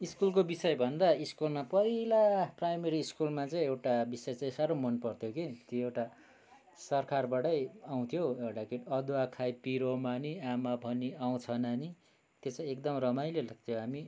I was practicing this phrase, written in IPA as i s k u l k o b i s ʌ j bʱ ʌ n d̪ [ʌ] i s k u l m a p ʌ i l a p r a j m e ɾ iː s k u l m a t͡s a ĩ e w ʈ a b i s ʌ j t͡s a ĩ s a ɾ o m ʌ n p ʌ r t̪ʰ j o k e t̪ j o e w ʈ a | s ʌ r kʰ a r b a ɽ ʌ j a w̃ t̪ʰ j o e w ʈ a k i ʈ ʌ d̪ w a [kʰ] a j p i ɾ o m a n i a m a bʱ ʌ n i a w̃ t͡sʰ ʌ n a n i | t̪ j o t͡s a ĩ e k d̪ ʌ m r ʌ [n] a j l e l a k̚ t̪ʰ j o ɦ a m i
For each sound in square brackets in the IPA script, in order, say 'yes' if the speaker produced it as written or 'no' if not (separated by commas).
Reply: no, yes, no